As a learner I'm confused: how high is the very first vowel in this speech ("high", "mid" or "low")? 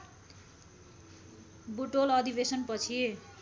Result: high